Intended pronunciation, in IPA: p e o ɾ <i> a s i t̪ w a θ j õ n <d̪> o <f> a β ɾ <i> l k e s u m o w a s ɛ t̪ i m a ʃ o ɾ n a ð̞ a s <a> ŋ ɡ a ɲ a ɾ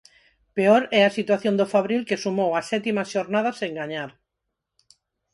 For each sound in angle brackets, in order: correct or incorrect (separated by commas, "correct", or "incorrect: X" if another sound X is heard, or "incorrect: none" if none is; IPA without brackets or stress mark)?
incorrect: ɛ, correct, correct, correct, incorrect: e